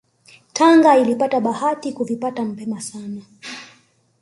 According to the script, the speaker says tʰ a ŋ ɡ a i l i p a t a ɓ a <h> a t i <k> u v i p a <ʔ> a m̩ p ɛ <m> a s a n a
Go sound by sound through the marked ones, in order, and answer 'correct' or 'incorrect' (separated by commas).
correct, correct, incorrect, correct